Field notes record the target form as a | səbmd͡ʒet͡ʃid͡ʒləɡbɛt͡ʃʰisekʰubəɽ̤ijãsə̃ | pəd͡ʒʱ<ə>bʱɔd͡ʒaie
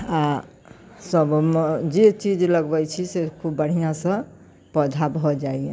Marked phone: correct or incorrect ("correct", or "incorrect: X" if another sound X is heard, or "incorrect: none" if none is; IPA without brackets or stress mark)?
incorrect: a